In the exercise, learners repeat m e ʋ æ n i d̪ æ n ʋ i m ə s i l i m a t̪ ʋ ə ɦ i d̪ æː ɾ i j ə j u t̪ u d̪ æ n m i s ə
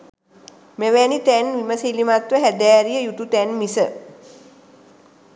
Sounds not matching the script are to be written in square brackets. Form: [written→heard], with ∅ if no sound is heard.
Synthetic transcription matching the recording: m e ʋ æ n i [d̪→t̪] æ n ʋ i m ə s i l i m a t̪ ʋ ə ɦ [i→æ] d̪ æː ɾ i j ə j u t̪ u [d̪→t̪] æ n m i s ə